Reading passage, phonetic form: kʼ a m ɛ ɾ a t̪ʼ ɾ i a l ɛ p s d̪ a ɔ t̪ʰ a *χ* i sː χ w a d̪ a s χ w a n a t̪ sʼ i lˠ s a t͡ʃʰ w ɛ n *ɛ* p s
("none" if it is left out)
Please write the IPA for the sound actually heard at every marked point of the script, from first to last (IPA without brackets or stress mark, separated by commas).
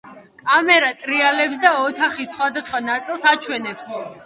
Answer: χ, ɛ